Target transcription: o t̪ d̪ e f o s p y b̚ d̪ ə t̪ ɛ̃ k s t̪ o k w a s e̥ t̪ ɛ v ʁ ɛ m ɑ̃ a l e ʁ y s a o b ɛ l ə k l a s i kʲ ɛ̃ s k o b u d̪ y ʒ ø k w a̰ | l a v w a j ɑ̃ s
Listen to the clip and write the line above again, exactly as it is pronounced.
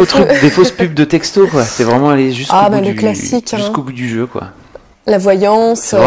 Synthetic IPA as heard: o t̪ d̪ e f o s p y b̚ d̪ ə t̪ ɛ k s t̪ o k w a s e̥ t̪ ɛ v ʁ ɛ m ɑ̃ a l e ʒ y s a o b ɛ l ə k l a s i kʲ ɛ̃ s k o b u d̪ y ʒ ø k w a̰ | l a v w a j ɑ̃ s